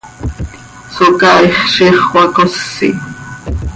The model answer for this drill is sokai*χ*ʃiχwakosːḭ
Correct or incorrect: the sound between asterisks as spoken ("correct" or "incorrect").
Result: correct